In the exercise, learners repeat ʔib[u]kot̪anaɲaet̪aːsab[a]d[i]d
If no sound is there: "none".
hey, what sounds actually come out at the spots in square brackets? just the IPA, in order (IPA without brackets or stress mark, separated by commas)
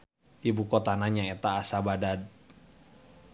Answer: u, a, a